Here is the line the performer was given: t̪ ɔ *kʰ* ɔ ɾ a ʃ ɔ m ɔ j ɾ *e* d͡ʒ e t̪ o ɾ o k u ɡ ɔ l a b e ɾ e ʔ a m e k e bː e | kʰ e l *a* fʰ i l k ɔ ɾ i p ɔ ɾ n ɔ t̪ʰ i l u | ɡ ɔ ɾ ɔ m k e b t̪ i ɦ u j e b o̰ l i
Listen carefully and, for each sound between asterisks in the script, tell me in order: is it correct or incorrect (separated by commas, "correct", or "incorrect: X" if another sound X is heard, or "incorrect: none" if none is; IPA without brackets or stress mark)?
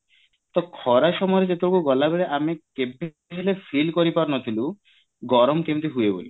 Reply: correct, correct, incorrect: e